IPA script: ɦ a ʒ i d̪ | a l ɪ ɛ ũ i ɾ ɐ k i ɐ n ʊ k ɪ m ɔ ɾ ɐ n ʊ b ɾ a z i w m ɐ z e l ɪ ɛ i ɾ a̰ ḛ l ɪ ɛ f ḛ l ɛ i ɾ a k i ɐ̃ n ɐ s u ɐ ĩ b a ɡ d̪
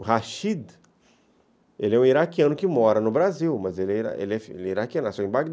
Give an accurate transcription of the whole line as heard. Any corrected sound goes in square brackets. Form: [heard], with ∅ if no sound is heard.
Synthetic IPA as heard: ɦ a [ʃ] i d̪ | [e] l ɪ ɛ ũ i ɾ [a] k i [ɐ̃] n ʊ k ɪ m ɔ ɾ ɐ n ʊ b ɾ a z i w m ɐ z e l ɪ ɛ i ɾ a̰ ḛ l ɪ ɛ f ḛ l ɛ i ɾ a k i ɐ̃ n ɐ s u ɐ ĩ b a ɡ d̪

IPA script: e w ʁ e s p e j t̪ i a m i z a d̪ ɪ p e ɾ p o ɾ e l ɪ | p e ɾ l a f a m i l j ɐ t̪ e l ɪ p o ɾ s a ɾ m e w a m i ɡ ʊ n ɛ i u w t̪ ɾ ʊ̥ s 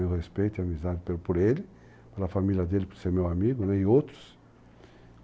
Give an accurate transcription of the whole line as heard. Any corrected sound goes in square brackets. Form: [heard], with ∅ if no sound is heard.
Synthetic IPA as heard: e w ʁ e s p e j t̪ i a m i z a d̪ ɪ p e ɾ p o ɾ e l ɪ | p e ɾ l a f a m i l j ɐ [d̪] e l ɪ p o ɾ s [e] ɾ m e w a m i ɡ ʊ n ɛ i [o] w t̪ ɾ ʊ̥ s

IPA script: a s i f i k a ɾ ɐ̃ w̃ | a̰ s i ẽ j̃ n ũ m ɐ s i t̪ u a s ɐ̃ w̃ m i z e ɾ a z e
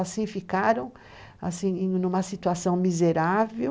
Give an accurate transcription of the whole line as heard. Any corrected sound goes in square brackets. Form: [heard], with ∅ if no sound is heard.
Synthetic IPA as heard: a s [ĩ] f i k a ɾ ɐ̃ w̃ | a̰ s [ĩ] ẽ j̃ n ũ m ɐ s i t̪ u a s ɐ̃ w̃ m i z e ɾ a [v] e

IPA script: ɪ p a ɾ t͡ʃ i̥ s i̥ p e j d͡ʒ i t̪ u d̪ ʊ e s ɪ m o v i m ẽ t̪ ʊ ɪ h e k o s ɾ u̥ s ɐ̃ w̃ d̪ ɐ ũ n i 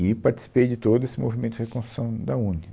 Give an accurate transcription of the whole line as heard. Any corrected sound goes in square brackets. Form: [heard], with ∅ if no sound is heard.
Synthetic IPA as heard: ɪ p a ɾ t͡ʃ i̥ s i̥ p e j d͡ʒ [ɪ] t̪ [o] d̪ ʊ e s ɪ m o v i m ẽ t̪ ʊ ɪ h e k [õ] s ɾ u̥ s ɐ̃ w̃ d̪ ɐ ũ n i

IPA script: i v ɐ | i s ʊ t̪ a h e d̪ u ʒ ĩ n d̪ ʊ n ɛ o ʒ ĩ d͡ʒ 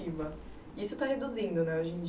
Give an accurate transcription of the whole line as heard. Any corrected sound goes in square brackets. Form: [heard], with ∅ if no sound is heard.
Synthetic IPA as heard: i v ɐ | i s ʊ t̪ a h e d̪ u [z] ĩ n d̪ ʊ n ɛ o ʒ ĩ d͡ʒ

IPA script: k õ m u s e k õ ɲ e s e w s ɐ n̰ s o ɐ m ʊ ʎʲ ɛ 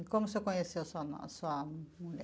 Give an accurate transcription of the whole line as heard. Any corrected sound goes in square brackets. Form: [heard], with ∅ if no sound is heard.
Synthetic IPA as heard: k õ m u s e k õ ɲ e s e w s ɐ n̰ s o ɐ m [u] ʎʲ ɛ

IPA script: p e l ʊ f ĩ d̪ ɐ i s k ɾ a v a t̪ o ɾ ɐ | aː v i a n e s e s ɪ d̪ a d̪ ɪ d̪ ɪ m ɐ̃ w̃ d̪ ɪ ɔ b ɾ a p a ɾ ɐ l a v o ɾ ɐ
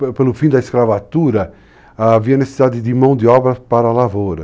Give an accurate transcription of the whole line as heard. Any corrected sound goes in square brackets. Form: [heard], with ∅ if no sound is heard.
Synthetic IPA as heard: p e l ʊ f ĩ d̪ ɐ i s k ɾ a v a t̪ [u] ɾ ɐ | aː v i [ɐ] n e s e s [i] d̪ a d̪ ɪ d̪ ɪ m ɐ̃ w̃ d̪ ɪ ɔ b ɾ [ɐ] p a ɾ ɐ l a v o ɾ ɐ

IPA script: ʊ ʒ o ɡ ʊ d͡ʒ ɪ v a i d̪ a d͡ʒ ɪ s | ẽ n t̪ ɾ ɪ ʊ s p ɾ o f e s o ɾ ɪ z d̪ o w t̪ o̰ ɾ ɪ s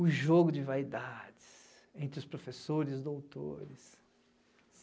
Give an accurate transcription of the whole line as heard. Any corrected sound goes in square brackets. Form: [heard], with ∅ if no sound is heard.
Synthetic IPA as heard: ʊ ʒ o ɡ ʊ d͡ʒ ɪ v a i d̪ a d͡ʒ ɪ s | ẽ n t̪ ɾ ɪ ʊ s p ɾ o f e s o ɾ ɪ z d̪ o w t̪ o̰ ɾ ɪ s

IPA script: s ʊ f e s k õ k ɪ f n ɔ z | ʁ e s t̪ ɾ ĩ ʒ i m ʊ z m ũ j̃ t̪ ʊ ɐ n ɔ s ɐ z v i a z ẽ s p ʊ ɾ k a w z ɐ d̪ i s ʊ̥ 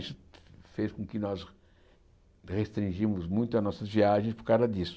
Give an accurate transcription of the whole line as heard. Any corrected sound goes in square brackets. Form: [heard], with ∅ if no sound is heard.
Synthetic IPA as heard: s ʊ f e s k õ k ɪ [∅] n ɔ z | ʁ e s t̪ ɾ ĩ ʒ i m ʊ z m ũ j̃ t̪ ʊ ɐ n ɔ s ɐ z v i a [ʒ] ẽ s p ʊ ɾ k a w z ɐ d̪ i s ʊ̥

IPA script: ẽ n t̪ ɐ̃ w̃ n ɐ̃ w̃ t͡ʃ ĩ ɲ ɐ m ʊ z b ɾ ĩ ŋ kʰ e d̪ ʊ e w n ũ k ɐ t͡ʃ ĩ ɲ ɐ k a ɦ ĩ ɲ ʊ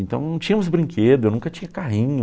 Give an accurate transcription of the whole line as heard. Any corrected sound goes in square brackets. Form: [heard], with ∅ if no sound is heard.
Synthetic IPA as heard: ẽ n t̪ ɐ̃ w̃ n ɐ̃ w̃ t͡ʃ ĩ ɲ ɐ m ʊ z b ɾ ĩ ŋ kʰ e d̪ ʊ e w n ũ k ɐ t͡ʃ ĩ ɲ ɐ k a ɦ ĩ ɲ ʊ

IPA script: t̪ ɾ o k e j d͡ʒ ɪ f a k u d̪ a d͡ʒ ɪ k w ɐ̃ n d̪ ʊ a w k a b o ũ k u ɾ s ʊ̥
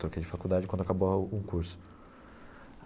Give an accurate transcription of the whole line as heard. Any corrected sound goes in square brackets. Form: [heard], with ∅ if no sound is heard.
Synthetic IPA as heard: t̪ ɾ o k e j d͡ʒ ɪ f a k u d̪ a d͡ʒ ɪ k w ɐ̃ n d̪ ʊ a [∅] k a b o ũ k u ɾ s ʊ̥

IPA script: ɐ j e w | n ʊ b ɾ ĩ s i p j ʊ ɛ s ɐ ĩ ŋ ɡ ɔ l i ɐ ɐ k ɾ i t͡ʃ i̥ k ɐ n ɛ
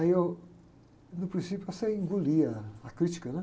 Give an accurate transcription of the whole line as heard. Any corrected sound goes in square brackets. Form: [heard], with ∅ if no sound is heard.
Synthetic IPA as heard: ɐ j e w | n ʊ [p] ɾ ĩ s i p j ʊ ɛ s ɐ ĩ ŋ ɡ [u] l i ɐ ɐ k ɾ i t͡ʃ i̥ k ɐ n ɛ

